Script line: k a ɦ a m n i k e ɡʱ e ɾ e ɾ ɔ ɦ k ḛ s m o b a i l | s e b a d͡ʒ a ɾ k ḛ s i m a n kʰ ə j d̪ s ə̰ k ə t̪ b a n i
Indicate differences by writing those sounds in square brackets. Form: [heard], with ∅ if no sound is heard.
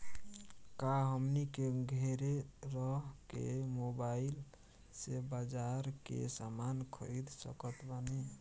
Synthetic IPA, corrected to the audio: k a ɦ [ə] m n i k e ɡʱ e ɾ e ɾ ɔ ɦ k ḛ [∅] m o b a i l | s e b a d͡ʒ a ɾ k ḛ s [a] m a n kʰ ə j d̪ s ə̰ k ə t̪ b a n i